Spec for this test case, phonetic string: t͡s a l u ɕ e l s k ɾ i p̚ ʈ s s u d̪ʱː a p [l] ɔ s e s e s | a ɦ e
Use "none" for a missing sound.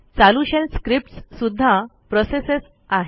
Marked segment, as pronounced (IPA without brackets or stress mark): ɾ